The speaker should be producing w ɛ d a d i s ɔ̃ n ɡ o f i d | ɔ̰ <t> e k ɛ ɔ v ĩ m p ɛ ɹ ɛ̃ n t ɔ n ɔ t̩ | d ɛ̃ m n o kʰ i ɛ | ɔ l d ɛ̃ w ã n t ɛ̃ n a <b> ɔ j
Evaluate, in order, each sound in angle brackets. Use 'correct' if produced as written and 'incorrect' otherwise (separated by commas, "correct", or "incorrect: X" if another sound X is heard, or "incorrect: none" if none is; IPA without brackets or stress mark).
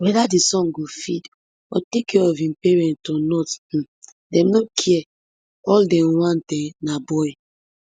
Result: correct, correct